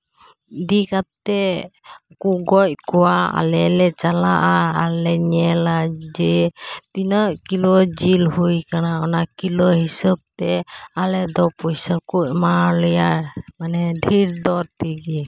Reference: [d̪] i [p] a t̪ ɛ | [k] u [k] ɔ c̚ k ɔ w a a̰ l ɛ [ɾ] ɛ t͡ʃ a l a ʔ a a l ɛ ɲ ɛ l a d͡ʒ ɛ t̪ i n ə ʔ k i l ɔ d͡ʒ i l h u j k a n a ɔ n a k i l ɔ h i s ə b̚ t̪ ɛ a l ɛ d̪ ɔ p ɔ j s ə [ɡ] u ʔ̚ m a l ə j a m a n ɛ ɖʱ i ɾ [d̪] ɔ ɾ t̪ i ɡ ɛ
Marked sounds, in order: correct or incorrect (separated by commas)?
correct, incorrect, correct, incorrect, incorrect, incorrect, correct